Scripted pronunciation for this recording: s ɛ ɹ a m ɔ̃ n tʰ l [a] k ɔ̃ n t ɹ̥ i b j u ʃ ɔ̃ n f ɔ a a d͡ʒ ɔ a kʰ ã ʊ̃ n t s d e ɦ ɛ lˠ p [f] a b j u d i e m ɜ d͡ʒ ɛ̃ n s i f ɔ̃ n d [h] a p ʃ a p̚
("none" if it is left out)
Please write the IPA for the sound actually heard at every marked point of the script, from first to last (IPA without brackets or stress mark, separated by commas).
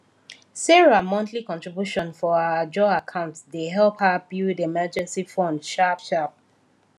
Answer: i, h, ʃ